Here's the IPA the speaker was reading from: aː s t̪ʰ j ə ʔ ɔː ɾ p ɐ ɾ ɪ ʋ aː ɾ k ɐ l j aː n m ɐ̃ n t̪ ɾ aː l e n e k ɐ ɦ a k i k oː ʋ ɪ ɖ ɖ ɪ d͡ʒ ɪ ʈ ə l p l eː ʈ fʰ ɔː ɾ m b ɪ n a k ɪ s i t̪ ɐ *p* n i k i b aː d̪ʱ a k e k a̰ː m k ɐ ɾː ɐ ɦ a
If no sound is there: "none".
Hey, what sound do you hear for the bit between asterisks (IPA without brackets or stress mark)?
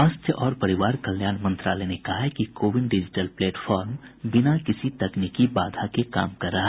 k